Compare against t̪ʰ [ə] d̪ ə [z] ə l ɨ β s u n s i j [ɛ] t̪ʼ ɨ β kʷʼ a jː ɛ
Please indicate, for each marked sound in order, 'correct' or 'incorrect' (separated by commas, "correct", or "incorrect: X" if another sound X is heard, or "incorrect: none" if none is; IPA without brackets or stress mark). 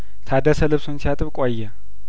incorrect: a, incorrect: s, incorrect: a